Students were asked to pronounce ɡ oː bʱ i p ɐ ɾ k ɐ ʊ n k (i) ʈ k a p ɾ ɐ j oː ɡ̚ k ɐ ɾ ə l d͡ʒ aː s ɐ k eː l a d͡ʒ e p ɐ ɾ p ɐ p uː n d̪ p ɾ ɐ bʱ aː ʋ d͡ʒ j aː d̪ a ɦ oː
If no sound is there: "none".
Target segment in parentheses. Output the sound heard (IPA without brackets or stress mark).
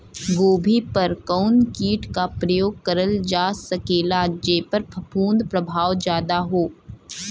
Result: iː